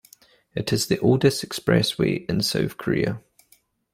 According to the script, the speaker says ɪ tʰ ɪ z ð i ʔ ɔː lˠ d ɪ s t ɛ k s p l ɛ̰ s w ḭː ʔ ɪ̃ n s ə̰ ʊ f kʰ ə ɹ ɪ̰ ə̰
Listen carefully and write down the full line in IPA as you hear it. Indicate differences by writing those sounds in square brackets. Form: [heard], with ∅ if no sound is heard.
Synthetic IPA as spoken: ɪ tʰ ɪ z ð i ʔ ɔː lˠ d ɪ s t ɛ k s p [ɹ] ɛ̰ s w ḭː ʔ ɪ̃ n s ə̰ ʊ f kʰ ə ɹ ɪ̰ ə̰